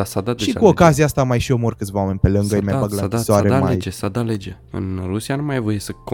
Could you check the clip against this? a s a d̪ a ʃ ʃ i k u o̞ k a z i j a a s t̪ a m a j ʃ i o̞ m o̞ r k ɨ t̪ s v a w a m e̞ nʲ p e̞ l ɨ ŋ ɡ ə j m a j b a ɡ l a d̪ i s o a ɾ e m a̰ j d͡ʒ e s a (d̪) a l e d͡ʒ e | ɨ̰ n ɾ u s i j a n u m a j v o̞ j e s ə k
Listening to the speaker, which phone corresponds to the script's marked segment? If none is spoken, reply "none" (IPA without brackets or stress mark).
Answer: d̪